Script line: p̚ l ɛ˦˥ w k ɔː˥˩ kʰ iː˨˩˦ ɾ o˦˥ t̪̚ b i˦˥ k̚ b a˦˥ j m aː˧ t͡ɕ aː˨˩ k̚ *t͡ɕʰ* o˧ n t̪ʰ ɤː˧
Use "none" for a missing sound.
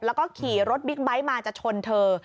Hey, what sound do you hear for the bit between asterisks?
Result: t͡ɕʰ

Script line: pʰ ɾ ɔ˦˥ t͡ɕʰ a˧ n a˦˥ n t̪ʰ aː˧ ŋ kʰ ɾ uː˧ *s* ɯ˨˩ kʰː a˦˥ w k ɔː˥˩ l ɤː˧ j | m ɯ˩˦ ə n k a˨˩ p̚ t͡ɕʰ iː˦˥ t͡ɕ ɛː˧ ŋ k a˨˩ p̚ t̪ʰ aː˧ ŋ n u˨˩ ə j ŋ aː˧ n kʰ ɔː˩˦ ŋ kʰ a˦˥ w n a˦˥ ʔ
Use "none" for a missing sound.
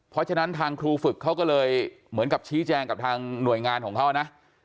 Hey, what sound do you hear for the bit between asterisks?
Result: f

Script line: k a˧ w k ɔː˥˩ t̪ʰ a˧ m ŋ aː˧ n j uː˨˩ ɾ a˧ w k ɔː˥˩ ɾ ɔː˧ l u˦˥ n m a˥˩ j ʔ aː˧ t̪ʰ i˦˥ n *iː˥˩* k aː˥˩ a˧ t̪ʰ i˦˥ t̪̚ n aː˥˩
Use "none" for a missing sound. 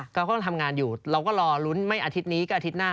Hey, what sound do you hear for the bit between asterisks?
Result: iː˦˥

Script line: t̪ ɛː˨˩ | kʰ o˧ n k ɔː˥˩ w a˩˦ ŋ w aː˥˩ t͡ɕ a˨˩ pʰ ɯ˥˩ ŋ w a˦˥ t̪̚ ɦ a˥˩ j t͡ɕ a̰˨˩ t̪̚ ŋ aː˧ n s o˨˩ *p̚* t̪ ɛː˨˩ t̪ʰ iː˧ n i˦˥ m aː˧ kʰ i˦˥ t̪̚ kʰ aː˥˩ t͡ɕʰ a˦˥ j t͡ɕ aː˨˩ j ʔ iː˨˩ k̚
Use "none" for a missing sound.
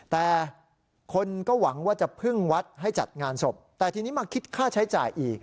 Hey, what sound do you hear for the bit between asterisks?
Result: p̚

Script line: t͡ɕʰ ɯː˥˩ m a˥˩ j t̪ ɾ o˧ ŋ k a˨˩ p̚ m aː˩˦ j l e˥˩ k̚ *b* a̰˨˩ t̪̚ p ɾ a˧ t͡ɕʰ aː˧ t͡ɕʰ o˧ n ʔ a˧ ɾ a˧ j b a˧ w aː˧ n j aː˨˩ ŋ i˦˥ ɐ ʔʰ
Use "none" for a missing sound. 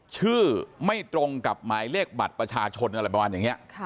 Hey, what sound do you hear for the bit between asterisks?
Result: b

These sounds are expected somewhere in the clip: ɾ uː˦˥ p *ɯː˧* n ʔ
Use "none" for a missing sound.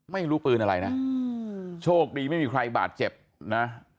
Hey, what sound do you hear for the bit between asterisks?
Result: ɯː˧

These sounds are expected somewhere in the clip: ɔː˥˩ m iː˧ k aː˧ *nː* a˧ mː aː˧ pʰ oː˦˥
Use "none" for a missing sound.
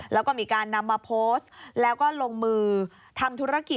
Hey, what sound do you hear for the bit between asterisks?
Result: nː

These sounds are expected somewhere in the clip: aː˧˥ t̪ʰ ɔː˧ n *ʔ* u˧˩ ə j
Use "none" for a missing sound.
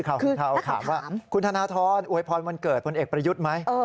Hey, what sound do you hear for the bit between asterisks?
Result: ʔ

